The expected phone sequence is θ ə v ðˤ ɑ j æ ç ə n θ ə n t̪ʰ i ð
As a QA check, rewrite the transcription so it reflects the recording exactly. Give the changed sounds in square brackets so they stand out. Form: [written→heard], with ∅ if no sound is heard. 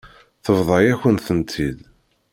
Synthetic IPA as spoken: θ ə v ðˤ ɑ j æ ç ə n θ ə n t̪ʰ i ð